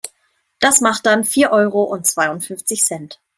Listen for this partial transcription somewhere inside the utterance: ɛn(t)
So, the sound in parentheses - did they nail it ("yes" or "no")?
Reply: yes